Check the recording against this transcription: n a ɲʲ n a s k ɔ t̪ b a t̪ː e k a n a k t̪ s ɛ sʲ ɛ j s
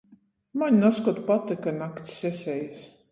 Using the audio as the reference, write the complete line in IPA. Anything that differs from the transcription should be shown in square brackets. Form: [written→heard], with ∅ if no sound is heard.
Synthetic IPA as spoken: [n→m] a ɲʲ n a s k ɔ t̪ [b→p] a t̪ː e k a n a k t̪ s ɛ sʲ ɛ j s

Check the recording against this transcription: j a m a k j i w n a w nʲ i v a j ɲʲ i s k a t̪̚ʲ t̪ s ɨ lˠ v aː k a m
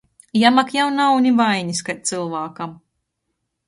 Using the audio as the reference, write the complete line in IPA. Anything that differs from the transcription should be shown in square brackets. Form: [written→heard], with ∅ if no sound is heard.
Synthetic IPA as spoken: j a m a k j [i→a] w n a w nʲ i v a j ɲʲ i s k a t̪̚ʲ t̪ s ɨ lˠ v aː k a m

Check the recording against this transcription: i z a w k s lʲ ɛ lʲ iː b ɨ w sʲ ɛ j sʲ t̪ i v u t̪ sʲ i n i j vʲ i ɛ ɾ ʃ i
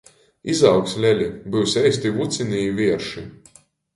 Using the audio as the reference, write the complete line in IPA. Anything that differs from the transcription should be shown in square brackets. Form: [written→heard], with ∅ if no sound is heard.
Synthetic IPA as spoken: i z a w k s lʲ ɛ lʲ [iː→i] b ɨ w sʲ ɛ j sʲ t̪ i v u t̪ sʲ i n i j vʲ i ɛ ɾ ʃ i

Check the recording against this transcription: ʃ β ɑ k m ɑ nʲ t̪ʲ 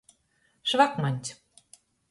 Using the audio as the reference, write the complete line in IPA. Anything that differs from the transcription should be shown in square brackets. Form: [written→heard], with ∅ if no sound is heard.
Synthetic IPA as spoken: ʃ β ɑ k m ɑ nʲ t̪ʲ

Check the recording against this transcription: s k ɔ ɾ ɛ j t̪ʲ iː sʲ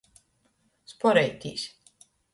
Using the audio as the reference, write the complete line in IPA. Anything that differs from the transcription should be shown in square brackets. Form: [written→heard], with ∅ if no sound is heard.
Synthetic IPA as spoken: s [k→p] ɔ ɾ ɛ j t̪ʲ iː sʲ

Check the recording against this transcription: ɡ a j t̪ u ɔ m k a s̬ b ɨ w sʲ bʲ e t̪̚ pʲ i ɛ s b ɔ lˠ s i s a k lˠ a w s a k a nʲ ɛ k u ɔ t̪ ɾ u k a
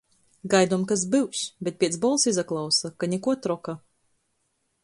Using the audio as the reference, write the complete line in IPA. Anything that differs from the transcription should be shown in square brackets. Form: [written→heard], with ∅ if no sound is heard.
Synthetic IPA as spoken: ɡ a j [t̪→d̪] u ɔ m k a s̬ b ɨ w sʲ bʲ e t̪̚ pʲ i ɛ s b ɔ lˠ s i [s→z] a k lˠ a w s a k a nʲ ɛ k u ɔ t̪ ɾ [u→ɔ] k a

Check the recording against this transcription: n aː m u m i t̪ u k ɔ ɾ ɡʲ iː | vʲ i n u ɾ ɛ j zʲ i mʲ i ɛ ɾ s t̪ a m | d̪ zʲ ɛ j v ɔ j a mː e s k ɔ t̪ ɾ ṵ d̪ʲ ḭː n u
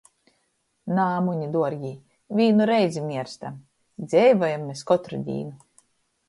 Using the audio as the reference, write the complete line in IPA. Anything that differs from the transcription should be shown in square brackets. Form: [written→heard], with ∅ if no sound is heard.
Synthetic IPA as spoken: n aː m u [m→ɲ] i [t̪→d̪] u [k→∅] ɔ ɾ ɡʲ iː | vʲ [i→iː] n u ɾ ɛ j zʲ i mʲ i ɛ ɾ s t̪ a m | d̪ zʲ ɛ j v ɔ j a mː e s k ɔ t̪ ɾ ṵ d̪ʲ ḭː n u

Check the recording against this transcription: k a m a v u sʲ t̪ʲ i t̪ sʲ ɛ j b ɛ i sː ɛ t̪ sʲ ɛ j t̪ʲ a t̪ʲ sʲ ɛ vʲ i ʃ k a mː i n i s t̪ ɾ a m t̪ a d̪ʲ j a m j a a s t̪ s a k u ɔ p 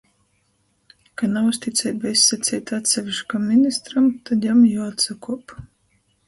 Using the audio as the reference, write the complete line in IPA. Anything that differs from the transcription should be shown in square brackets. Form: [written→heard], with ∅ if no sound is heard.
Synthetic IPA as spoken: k a [m→n] a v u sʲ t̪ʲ i t̪ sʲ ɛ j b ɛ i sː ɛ t̪ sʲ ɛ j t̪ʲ a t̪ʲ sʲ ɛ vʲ i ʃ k a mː i n i s t̪ ɾ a m t̪ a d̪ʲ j a m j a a [s→∅] t̪ s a k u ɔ p

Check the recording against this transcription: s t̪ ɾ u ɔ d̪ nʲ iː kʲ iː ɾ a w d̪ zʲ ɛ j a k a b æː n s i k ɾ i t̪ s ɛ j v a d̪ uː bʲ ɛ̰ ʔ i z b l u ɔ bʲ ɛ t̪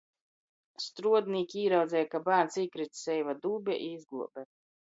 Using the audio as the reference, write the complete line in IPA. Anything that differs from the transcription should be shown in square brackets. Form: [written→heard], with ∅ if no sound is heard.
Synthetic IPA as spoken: s t̪ ɾ u ɔ d̪ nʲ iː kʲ iː ɾ a w d̪ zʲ ɛ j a k a b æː n s i k ɾ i t̪ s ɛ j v a d̪ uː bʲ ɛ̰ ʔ i z [b→ɡ] l u ɔ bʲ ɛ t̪

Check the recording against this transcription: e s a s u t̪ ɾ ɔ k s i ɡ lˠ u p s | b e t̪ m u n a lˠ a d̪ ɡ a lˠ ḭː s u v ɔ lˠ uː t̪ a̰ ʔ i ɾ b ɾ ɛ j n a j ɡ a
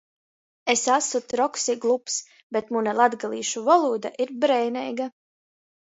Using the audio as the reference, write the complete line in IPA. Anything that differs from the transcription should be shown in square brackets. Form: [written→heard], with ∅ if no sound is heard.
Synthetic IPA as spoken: e s a s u t̪ ɾ ɔ k s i ɡ lˠ u p s | b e t̪ m u n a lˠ a d̪ ɡ a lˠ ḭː [s→ʃ] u v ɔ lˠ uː [t̪→d̪] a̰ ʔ i ɾ b ɾ ɛ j n [a→ɛ] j ɡ a

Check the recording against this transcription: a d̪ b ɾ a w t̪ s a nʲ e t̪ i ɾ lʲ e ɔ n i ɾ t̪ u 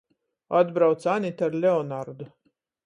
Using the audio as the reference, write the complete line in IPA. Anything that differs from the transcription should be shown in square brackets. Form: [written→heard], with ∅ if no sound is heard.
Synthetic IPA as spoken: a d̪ b ɾ a w t̪ s a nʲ [e→i] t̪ [i→a] ɾ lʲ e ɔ n [i→a] ɾ [t̪→d̪] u

